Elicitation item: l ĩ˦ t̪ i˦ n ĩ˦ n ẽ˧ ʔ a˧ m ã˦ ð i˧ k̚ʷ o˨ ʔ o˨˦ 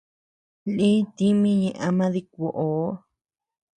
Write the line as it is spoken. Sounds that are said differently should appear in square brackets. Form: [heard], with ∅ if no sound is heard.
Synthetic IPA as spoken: l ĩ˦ t̪ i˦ [m] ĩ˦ [ɲ] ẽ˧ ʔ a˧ m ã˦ ð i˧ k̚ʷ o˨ ʔ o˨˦